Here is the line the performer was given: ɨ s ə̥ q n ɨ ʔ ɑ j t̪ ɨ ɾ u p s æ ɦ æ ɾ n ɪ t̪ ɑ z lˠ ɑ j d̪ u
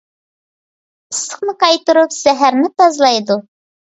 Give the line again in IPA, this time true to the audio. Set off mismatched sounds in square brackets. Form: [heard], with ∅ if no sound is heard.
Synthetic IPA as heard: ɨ s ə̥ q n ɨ [q] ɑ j t̪ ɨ ɾ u p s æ ɦ æ ɾ n ɪ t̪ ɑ z lˠ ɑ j d̪ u